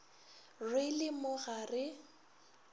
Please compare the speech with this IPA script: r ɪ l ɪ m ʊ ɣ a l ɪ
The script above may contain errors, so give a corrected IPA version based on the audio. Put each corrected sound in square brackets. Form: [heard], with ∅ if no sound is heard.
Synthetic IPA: r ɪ l ɪ m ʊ ɣ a [r] ɪ